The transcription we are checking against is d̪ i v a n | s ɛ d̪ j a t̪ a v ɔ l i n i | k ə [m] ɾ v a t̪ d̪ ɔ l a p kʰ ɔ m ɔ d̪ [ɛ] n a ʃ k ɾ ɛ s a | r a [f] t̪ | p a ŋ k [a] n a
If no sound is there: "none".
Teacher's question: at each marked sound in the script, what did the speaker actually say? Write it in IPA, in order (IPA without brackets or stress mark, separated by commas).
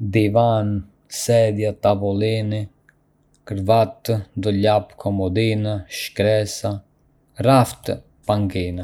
none, i, f, i